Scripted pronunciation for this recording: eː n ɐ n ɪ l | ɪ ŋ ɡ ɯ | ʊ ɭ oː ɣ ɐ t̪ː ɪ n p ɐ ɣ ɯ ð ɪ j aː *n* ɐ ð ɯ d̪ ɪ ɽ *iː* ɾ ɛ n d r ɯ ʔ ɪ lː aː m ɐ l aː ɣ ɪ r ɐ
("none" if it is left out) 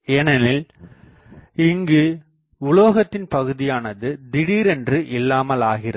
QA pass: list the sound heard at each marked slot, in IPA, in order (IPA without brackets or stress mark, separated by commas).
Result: n, iː